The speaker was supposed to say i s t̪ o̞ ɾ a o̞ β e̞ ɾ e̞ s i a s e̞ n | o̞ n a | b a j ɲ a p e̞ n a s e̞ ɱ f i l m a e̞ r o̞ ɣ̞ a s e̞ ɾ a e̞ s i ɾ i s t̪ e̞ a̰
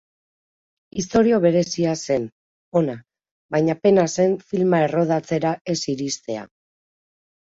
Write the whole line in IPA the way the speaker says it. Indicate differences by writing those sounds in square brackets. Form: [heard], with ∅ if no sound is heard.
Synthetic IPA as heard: i s t̪ o̞ ɾ [i] o̞ β e̞ ɾ e̞ s i a s e̞ n | o̞ n a | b a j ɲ a p e̞ n a s e̞ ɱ f i l m a e̞ r o̞ [ð̞] a [t͡s] e̞ ɾ a e̞ s i ɾ i s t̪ e̞ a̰